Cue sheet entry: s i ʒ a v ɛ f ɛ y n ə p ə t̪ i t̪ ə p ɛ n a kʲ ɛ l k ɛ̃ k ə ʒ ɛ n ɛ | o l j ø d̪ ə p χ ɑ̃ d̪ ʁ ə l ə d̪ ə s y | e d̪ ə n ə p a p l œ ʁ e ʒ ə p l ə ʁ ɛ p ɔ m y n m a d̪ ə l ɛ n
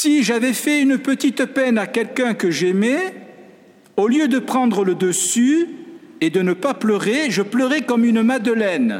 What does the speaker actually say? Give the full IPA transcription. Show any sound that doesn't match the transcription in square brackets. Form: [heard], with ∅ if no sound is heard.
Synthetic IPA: s i ʒ a v ɛ f ɛ y n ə p ə t̪ i t̪ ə p ɛ n a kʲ ɛ l k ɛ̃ k ə ʒ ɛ [m] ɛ | o l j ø d̪ ə p χ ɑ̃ d̪ ʁ ə l ə d̪ ə s y | e d̪ ə n ə p a p l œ ʁ e ʒ ə p l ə ʁ ɛ [k] ɔ m y n m a d̪ ə l ɛ n